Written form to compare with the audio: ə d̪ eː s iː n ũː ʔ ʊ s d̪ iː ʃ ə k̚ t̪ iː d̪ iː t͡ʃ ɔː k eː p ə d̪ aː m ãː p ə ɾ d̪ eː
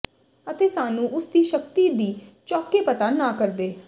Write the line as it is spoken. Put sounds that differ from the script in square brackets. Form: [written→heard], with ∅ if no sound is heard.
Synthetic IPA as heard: ə [d̪→t̪] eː s [iː→aː] n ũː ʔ ʊ s d̪ iː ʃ ə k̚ t̪ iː d̪ iː t͡ʃ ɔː k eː p ə [d̪→t̪] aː [m→n] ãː [p→k] ə ɾ d̪ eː